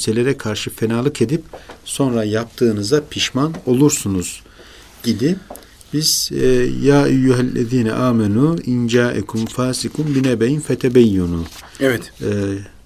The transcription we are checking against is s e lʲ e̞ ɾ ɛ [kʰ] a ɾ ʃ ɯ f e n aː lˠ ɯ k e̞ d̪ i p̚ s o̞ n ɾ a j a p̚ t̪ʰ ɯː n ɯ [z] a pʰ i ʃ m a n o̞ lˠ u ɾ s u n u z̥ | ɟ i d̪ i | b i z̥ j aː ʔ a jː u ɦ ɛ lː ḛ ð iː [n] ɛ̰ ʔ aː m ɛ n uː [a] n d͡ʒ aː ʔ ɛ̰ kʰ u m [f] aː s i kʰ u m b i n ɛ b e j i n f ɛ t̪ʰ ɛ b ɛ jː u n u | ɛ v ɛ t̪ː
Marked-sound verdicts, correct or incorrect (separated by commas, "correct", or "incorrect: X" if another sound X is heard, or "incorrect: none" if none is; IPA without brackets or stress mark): correct, correct, correct, incorrect: i, correct